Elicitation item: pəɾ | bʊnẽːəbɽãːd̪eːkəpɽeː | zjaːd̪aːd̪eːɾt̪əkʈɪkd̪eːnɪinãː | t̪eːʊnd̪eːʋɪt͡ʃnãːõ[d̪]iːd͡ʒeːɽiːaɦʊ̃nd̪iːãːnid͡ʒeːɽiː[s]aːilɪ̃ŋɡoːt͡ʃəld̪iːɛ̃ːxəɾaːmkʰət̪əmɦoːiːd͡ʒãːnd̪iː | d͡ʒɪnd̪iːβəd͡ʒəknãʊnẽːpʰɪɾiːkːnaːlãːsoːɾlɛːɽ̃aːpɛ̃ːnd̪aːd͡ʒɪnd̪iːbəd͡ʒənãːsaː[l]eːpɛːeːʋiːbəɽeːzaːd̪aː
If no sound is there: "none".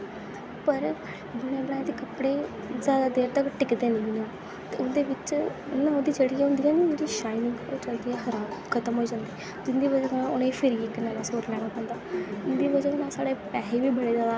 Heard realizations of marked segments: d̪, ʃ, ɽ

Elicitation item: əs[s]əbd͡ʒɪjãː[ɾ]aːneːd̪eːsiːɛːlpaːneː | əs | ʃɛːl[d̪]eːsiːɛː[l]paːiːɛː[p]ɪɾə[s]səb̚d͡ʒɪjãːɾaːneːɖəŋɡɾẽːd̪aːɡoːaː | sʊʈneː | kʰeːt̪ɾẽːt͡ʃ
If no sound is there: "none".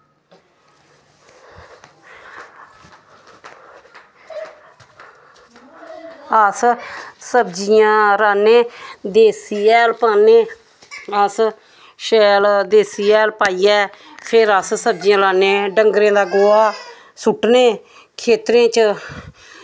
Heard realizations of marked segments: s, ɾ, d̪, l, pʰ, s

